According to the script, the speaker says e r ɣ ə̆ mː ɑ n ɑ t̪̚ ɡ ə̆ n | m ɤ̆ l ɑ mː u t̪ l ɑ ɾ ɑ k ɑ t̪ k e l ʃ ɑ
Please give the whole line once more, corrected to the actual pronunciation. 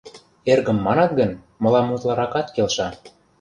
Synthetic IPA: e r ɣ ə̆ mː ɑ n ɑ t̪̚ ɡ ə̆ n | m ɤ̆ l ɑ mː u t̪ l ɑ ɾ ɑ k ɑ t̪ k e l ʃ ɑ